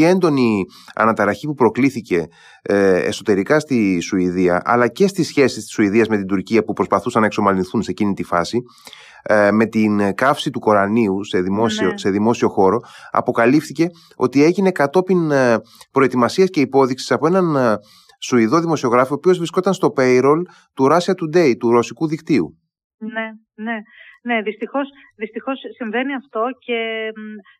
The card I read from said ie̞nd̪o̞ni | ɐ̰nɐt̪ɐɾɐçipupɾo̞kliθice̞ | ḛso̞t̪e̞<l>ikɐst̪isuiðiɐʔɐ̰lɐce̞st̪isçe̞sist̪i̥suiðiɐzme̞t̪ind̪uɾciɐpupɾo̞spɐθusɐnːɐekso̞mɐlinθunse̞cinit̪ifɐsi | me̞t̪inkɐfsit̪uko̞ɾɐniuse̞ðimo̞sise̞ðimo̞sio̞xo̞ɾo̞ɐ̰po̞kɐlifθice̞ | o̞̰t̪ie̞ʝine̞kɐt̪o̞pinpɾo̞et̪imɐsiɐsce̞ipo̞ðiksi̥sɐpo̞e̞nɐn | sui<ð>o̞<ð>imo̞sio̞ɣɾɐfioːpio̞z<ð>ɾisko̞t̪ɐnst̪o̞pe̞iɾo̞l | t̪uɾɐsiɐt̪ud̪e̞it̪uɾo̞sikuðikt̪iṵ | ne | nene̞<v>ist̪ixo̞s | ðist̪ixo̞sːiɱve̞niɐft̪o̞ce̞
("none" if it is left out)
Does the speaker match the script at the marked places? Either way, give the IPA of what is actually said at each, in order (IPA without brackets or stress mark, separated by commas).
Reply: ɾ, ð, ð, v, ð